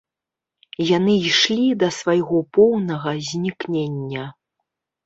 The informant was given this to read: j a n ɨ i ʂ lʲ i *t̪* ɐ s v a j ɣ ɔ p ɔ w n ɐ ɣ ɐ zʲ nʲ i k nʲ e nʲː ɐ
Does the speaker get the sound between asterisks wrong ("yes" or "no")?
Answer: yes